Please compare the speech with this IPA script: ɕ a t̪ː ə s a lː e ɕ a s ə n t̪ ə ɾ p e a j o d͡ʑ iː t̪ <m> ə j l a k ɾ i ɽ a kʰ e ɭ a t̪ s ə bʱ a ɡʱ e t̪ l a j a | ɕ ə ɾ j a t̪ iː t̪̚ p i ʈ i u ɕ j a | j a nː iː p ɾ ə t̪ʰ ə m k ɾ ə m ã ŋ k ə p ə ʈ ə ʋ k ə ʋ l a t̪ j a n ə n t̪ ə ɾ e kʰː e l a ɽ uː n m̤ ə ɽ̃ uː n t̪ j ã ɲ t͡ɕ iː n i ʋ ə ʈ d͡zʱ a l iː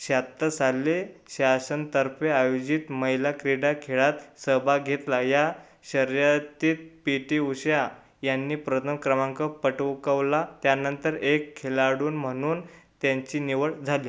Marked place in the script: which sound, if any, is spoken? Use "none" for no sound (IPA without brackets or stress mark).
m